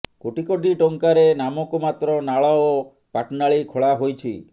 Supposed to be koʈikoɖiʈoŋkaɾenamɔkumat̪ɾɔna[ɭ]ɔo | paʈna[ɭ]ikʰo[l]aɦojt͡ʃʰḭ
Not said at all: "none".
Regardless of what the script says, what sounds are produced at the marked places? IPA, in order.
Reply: ɭ, ɭ, ɭ

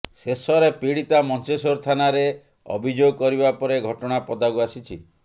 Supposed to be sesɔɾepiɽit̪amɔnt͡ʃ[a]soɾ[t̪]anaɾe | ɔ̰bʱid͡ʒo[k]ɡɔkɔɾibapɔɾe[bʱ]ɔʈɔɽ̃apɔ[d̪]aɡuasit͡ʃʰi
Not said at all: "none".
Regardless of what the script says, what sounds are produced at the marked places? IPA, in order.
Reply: e, t̪ʰ, none, ɡʱ, d̪

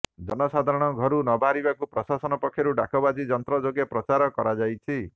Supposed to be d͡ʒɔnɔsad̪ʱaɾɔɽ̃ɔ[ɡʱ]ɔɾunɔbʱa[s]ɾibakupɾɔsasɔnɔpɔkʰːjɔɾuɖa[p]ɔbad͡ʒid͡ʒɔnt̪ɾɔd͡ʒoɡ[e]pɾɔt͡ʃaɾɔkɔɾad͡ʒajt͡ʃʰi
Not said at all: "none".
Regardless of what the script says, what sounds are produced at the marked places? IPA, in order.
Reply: ɡʱ, none, k, e

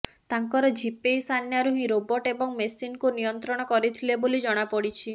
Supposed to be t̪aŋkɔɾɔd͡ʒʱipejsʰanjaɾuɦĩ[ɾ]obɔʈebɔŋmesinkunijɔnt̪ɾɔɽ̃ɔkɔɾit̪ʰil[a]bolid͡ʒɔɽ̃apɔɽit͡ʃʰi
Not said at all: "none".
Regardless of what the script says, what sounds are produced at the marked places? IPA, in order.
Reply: ɾ, e

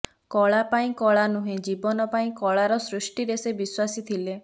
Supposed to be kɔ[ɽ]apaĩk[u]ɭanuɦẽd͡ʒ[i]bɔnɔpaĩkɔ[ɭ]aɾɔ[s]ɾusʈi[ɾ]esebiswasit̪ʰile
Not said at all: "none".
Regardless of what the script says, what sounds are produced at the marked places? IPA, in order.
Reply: ɭ, ɔ, i, ɭ, s, ɾ

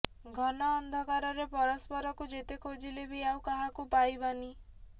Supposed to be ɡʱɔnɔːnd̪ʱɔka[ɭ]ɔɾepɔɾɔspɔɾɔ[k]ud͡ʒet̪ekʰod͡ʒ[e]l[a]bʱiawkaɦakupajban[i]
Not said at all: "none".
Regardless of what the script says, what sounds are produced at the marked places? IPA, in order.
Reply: ɾ, k, i, e, i

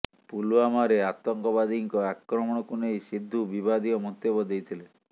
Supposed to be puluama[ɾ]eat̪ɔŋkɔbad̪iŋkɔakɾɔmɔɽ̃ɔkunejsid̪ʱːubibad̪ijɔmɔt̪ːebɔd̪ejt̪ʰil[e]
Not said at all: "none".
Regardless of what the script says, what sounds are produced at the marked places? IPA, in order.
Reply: ɾ, e

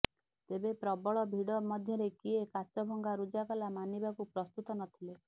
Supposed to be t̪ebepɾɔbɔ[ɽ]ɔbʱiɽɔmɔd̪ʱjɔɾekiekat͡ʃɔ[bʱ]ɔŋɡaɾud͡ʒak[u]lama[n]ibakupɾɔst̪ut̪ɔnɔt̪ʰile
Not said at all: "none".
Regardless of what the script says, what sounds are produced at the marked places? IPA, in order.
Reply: ɭ, bʱ, ɔ, n

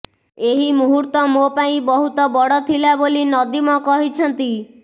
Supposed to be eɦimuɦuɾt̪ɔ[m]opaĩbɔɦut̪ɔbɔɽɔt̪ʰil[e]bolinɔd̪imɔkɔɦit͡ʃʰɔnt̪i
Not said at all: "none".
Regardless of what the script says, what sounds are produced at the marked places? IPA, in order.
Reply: m, a

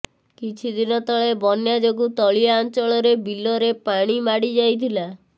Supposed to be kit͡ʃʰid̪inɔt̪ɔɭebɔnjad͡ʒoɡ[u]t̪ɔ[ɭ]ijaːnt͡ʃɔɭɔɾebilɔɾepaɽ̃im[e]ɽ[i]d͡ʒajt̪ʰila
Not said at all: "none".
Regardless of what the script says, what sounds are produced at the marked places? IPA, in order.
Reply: u, ɭ, a, i

